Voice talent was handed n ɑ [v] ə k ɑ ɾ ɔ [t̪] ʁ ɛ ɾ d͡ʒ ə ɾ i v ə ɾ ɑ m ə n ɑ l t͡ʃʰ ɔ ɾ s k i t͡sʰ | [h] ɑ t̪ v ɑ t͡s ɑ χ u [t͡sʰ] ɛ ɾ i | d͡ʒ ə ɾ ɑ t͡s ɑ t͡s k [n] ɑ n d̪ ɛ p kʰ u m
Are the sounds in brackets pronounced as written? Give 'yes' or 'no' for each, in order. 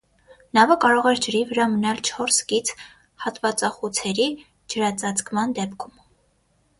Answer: yes, no, yes, yes, no

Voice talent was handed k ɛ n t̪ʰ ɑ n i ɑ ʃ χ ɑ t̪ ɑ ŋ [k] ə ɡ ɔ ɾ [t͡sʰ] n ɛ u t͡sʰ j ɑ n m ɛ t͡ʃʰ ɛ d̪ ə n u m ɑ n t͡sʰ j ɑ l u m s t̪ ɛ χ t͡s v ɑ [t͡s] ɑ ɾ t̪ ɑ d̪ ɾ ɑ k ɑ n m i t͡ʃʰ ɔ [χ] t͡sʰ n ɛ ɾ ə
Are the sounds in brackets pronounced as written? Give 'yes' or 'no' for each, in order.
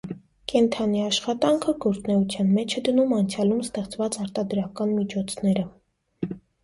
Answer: no, no, yes, no

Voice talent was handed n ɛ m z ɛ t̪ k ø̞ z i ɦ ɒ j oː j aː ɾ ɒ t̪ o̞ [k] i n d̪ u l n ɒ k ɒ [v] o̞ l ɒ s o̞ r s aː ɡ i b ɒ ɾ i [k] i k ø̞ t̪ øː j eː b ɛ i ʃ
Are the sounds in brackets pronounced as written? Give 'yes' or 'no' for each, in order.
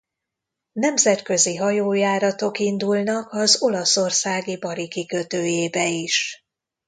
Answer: yes, no, yes

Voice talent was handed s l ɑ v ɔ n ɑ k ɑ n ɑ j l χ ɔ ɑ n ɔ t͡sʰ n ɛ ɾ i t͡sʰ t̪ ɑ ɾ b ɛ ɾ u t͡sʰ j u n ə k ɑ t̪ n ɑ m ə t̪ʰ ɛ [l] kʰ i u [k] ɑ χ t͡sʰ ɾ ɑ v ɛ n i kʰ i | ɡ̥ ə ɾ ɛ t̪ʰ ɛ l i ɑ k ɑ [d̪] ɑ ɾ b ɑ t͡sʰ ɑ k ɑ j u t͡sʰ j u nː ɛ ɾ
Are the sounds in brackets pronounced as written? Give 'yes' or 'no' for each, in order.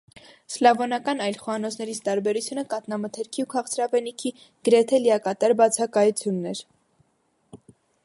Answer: no, no, no

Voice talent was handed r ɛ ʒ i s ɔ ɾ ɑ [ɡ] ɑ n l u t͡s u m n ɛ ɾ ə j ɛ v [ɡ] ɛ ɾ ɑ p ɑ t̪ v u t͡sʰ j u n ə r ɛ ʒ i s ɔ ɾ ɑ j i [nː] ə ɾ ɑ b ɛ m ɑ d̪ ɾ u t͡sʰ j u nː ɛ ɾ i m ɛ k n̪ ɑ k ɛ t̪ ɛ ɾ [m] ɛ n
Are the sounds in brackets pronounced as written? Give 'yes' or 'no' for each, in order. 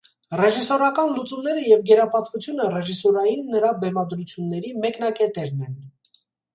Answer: no, yes, yes, no

